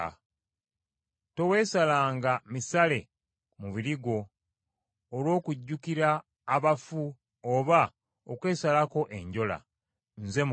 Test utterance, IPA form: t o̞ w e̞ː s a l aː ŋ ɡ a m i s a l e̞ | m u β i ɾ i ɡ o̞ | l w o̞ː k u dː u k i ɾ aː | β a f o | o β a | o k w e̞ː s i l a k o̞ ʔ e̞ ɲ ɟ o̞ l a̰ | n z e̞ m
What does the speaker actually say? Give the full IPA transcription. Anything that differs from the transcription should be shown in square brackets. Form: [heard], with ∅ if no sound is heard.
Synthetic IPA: t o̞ w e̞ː s a l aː ŋ ɡ a m i s a l e̞ | m u β i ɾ i ɡ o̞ | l w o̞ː k u [ɟː] u k i ɾ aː | β a f [u] | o β a | o k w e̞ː s [a] l a k o̞ ʔ e̞ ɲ ɟ o̞ l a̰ | n z e̞ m